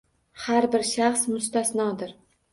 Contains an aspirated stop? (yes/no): no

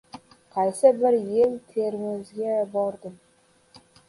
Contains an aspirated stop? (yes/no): yes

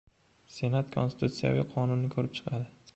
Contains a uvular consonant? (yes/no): yes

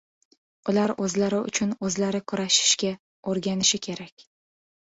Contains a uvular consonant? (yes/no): no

